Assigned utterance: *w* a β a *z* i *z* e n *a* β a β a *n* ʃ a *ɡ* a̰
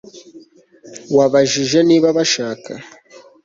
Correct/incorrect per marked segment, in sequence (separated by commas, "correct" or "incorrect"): correct, incorrect, incorrect, incorrect, incorrect, incorrect